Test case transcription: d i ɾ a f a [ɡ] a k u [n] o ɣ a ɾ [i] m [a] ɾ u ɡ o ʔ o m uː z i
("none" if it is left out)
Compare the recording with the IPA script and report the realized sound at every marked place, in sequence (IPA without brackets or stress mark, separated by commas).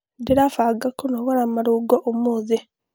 ɡ, n, a, a